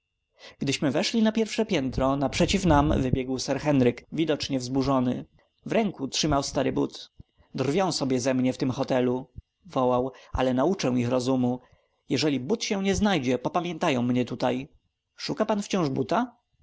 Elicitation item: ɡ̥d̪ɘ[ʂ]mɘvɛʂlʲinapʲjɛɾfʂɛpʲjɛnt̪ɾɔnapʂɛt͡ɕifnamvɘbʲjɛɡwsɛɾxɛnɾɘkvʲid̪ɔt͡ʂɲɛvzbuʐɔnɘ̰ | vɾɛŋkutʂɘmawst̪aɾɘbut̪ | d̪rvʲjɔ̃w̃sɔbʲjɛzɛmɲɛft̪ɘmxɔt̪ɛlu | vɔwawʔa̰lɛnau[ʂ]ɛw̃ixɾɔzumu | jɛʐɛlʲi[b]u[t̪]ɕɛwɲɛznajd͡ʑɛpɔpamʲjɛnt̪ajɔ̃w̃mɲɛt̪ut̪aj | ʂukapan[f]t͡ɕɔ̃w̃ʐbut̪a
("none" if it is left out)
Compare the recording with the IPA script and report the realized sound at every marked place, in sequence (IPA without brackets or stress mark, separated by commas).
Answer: ɕ, t͡ʂ, b, t̪, f